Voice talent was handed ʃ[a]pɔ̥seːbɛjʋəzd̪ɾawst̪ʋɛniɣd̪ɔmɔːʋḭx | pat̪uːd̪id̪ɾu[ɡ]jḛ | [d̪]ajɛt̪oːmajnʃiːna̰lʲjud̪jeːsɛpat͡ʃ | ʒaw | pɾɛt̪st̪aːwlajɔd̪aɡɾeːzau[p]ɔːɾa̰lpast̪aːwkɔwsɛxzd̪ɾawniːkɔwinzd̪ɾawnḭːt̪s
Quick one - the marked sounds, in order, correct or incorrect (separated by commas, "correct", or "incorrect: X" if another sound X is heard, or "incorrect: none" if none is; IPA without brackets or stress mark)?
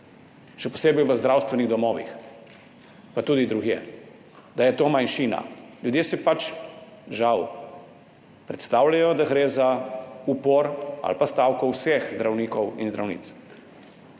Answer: incorrect: ɛ, correct, correct, correct